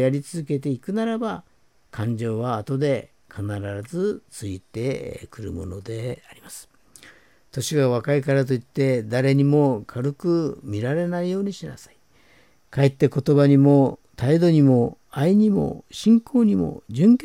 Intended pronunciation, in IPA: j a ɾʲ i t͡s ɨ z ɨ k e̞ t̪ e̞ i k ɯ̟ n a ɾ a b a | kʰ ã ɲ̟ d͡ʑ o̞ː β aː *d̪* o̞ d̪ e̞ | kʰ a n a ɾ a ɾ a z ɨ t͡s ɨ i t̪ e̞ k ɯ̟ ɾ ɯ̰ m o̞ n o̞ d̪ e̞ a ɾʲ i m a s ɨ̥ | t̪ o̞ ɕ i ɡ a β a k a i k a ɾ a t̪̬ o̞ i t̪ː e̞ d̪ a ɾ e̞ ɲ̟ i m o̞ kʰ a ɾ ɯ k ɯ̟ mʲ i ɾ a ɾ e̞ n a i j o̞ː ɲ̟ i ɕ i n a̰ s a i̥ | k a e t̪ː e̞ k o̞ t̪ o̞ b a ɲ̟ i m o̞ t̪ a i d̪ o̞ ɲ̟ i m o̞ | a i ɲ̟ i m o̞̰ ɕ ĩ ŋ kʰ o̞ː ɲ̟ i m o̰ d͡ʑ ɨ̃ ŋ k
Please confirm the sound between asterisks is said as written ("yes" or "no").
no